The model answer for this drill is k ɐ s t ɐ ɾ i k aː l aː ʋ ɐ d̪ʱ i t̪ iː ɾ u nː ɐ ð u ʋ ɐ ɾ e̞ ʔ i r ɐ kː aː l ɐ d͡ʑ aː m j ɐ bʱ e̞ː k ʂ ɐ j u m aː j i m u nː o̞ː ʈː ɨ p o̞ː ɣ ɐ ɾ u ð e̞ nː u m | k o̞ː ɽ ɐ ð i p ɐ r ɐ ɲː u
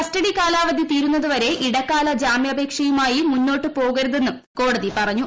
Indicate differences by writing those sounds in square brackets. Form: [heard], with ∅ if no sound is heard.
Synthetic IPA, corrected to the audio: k ɐ s t ɐ [ɽ] i k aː l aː ʋ ɐ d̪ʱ i t̪ iː ɾ u nː ɐ ð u ʋ ɐ ɾ e̞ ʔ i [ɽ] ɐ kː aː l ɐ d͡ʑ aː m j ɐ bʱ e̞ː k ʂ ɐ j u m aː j i m u nː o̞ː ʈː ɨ p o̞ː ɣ ɐ ɾ u ð e̞ nː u m | k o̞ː ɽ ɐ ð i p ɐ r ɐ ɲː u

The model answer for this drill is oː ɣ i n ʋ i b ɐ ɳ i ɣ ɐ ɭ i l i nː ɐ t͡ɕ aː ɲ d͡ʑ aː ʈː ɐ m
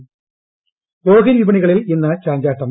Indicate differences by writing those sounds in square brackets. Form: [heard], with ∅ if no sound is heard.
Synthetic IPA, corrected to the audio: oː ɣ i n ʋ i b ɐ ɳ i ɣ ɐ ɭ i l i nː ɐ t͡ɕ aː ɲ d͡ʑ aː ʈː ɐ m

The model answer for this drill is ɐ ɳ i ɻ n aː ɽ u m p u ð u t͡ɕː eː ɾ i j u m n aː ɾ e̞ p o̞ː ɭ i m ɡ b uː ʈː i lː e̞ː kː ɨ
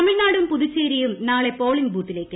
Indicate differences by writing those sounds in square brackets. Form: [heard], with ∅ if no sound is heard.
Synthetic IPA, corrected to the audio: ɐ [m] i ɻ n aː ɽ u m p u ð u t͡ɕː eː ɾ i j u m n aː [ɭ] e̞ p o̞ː ɭ i [ŋ] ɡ b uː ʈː i [l] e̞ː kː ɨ

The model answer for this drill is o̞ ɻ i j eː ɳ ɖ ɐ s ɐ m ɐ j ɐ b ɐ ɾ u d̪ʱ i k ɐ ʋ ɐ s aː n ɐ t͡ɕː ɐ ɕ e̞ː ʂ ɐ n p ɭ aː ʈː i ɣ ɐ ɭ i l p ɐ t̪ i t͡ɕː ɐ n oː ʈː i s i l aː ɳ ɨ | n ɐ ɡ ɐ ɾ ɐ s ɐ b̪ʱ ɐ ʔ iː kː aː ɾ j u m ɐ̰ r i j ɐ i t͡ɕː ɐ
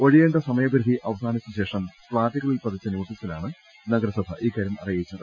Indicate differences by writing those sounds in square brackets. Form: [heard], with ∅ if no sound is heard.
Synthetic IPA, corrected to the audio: o̞ ɻ i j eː ɳ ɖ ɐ s ɐ m ɐ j ɐ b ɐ ɾ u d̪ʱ i [ʔ] ɐ ʋ ɐ s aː n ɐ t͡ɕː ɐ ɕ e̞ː ʂ ɐ [m] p ɭ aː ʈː i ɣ ɐ ɭ i l p ɐ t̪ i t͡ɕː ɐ n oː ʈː i s i l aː ɳ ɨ | n ɐ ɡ ɐ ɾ ɐ s ɐ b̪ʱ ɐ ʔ iː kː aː ɾ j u m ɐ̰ r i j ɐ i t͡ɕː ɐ

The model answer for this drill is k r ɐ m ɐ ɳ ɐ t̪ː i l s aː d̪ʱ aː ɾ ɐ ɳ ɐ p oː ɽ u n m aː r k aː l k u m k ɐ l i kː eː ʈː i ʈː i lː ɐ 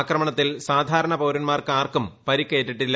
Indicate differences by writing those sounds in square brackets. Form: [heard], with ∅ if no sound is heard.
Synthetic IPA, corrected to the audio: k r ɐ m ɐ ɳ ɐ t̪ː i l s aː d̪ʱ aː ɾ ɐ ɳ ɐ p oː [ɾ] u n m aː r k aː [r] k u m [p] ɐ [ɾ] i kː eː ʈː i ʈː i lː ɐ

